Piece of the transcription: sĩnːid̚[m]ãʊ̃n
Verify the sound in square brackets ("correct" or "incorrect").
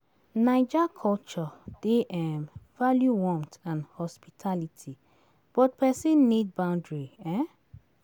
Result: incorrect